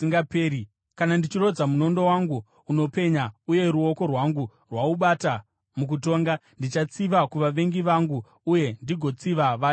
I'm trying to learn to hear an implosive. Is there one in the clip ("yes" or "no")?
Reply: yes